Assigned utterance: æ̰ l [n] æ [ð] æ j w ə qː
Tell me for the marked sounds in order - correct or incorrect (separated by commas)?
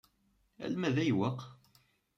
incorrect, correct